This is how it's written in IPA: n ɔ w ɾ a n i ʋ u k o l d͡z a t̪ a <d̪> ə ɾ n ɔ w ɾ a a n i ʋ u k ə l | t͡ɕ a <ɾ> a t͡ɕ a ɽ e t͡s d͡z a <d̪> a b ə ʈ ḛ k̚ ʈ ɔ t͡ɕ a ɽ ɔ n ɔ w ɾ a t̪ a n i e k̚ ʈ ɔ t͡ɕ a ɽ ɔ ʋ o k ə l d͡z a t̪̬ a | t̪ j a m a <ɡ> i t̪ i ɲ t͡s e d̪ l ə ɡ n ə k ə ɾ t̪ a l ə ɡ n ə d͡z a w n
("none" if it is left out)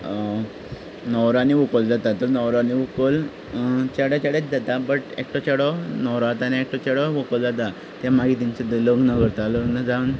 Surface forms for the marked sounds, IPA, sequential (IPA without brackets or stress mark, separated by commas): t̪, ɽ, t̪, ɡ